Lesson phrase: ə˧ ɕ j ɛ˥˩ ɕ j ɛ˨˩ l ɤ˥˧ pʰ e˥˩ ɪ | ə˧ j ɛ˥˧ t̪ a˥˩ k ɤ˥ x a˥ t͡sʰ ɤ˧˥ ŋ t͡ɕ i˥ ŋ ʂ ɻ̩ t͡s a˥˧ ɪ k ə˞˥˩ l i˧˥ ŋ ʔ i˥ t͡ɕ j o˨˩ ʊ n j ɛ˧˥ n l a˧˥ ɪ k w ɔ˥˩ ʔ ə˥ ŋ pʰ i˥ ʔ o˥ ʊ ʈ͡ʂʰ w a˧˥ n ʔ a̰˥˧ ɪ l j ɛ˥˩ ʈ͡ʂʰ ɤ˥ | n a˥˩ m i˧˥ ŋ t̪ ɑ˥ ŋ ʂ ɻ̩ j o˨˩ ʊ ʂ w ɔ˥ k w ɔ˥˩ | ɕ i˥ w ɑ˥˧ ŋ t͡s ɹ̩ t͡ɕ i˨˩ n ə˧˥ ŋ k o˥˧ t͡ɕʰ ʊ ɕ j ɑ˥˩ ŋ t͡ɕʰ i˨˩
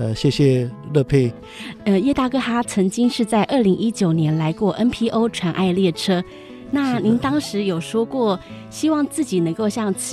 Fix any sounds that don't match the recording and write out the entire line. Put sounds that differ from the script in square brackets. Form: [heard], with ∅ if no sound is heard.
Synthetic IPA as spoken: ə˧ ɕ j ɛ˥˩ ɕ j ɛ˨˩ l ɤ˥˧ pʰ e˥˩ ɪ | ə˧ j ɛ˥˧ t̪ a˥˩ k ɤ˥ x a˥ t͡sʰ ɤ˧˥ ŋ t͡ɕ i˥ ŋ ʂ ɻ̩ t͡s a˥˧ ɪ [ʔ] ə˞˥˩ l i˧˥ ŋ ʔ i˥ t͡ɕ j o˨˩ ʊ n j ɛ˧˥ n l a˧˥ ɪ k w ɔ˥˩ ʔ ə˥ [n] pʰ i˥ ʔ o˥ ʊ ʈ͡ʂʰ w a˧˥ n ʔ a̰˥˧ ɪ l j ɛ˥˩ ʈ͡ʂʰ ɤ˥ | n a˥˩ [n] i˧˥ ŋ t̪ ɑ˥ ŋ ʂ ɻ̩ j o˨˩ ʊ ʂ w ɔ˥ k w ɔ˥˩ | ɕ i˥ w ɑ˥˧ ŋ t͡s ɹ̩ t͡ɕ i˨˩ n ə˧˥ ŋ k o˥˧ [∅] ʊ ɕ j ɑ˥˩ ŋ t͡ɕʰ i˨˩